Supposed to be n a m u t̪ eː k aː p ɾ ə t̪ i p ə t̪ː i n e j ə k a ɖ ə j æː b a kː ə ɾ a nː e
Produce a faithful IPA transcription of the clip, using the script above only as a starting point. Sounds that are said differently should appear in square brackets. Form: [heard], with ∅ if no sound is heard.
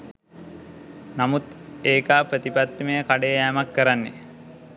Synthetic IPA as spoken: n a m u t̪ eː k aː p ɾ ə t̪ i p [a] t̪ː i [m] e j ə k a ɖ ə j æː [m] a kː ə ɾ a nː e